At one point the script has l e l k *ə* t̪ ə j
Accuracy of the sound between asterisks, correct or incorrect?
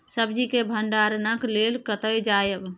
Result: correct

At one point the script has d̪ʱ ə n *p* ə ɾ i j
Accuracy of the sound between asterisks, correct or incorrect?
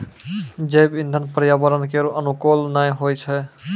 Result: correct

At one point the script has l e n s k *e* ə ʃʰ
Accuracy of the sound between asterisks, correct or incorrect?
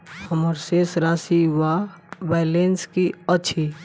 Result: incorrect: i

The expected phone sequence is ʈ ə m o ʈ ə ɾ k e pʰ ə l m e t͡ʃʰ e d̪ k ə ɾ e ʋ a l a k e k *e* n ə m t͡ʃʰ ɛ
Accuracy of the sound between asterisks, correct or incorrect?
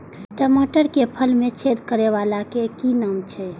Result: incorrect: i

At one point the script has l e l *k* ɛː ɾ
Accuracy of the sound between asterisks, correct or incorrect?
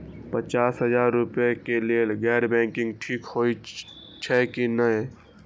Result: incorrect: ɡ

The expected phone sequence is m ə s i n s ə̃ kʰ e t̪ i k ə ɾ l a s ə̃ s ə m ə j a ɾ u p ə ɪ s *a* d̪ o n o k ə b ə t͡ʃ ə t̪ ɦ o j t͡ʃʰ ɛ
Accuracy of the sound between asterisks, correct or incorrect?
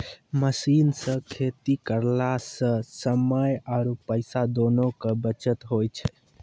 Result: correct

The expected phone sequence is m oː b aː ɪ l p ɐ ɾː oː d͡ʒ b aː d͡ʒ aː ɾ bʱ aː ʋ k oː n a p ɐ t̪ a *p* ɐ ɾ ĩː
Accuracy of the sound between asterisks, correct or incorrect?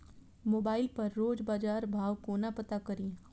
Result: incorrect: k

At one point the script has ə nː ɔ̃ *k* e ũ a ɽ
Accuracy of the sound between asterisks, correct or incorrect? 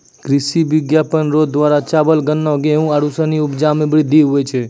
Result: incorrect: ɡ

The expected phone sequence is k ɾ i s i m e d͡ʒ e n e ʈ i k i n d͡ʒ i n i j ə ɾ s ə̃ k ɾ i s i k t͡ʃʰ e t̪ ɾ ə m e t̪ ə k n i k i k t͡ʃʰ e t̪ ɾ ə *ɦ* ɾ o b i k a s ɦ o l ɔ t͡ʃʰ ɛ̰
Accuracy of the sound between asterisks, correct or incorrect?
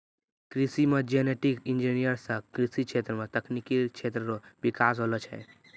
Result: incorrect: none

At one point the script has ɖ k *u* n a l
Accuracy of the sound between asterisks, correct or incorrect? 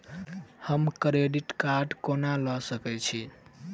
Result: incorrect: o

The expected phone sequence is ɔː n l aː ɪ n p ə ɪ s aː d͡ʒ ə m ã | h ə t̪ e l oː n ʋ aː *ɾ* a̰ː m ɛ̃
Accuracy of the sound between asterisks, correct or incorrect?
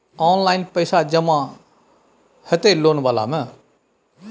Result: incorrect: l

